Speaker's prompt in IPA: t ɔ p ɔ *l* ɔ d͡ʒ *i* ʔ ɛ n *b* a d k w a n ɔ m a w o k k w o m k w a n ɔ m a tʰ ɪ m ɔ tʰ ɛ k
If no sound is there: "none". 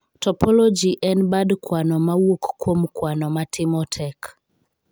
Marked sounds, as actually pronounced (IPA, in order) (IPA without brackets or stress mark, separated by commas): l, i, b